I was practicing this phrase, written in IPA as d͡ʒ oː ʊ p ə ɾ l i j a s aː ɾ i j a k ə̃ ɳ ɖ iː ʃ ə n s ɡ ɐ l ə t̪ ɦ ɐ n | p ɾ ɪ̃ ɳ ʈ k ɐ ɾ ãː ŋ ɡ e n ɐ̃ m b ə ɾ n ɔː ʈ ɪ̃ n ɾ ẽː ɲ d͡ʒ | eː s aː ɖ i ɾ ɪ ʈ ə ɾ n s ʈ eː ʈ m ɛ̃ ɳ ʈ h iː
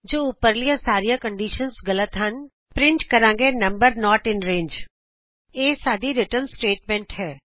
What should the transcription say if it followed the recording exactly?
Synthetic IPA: d͡ʒ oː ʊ p ə ɾ l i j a s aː ɾ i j a k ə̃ ɳ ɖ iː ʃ ə n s ɡ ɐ l ə t̪ ɦ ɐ n | p ɾ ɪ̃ ɳ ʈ k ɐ ɾ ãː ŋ ɡ e n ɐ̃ m b ə ɾ n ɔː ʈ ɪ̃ n ɾ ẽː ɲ d͡ʒ | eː s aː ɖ i ɾ ɪ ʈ ə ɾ n s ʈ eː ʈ m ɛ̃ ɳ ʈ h ɛː

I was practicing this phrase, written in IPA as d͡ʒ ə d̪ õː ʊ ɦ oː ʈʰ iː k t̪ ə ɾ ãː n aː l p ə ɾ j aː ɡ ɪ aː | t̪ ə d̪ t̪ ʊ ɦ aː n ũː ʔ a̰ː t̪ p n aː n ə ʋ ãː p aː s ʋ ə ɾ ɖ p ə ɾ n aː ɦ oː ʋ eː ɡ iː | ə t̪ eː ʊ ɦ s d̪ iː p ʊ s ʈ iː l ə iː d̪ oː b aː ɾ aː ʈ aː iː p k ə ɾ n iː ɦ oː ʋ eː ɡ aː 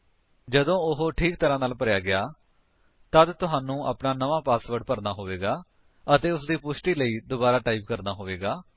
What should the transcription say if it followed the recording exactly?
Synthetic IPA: d͡ʒ ə d̪ õː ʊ ɦ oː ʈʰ iː k t̪ ə ɾ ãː n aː l p ə ɾ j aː ɡ ɪ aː | t̪ ə d̪ t̪ ʊ ɦ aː n ũː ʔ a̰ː p n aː n ə ʋ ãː p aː s ʋ ə ɾ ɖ p ə ɾ n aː ɦ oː ʋ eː ɡ aː | ə t̪ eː ʊ s d̪ iː p ʊ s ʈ iː l ə iː d̪ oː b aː ɾ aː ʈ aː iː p k ə ɾ n aː ɦ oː ʋ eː ɡ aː

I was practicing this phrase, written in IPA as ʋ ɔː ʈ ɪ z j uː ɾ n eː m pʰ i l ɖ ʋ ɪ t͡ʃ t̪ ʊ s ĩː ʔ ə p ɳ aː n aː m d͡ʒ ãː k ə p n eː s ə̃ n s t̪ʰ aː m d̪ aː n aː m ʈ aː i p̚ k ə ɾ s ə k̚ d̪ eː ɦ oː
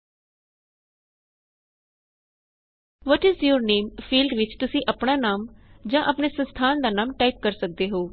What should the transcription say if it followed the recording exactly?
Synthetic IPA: ʋ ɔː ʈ ɪ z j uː ɾ n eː m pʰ iː l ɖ ʋ ɪ t͡ʃ t̪ ʊ s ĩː ʔ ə p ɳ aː n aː m d͡ʒ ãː ʔ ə p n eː s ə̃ n s t̪ʰ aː n d̪ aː n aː m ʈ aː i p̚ k ə ɾ s ə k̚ d̪ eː ɦ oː

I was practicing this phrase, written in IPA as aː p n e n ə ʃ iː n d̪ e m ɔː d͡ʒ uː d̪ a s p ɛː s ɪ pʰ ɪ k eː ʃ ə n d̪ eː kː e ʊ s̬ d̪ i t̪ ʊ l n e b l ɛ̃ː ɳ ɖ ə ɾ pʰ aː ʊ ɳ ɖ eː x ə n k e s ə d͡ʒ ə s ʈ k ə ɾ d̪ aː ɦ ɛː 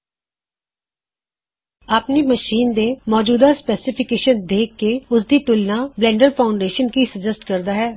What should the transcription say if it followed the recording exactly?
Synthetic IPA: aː p n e m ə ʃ iː n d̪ e m ɔː d͡ʒ uː d̪ a s p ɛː s ɪ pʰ ɪ k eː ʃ ə n d̪ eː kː e ʊ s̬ d̪ i t̪ ʊ l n a b l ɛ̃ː ɳ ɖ ə ɾ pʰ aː ʊ ɳ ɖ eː ʃ ə n k i s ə d͡ʒ ə s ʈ k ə ɾ d̪ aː ɦ ɛː

